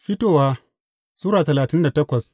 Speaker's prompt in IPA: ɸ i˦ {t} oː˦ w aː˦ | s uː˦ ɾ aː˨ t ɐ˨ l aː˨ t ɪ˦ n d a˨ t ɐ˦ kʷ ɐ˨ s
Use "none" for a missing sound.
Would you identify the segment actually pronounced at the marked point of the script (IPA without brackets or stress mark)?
t